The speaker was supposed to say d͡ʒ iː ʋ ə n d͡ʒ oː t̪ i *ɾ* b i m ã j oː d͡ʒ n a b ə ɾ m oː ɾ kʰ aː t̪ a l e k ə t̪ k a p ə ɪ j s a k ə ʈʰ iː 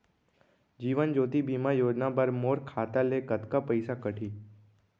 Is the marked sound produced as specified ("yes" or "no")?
no